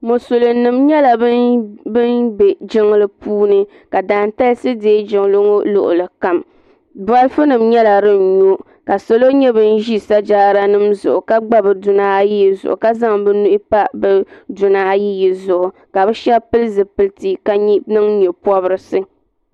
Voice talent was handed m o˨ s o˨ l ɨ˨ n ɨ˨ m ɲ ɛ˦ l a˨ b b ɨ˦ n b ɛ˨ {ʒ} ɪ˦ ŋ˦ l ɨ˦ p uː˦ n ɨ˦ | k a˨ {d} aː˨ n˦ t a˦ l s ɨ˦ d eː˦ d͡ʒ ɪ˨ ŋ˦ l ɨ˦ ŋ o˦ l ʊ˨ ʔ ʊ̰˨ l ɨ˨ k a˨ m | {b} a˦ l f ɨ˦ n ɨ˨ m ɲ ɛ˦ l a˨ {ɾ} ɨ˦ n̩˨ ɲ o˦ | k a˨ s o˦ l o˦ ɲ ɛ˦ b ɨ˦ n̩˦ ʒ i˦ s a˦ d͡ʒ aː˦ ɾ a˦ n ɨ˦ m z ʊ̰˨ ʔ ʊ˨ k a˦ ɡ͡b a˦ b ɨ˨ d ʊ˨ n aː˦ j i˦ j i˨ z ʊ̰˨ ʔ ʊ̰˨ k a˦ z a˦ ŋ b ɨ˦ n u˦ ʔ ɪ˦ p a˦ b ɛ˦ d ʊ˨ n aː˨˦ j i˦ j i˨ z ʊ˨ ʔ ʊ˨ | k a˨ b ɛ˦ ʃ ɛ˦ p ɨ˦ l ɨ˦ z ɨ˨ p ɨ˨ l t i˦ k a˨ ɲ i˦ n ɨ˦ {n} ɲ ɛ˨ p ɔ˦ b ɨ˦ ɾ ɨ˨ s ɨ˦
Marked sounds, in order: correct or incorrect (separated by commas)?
incorrect, correct, correct, correct, incorrect